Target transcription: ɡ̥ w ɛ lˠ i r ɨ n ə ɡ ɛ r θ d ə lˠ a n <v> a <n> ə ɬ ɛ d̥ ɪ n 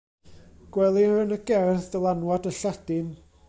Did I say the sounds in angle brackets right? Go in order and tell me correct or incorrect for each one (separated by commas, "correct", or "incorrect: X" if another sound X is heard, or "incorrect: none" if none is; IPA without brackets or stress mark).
incorrect: w, incorrect: d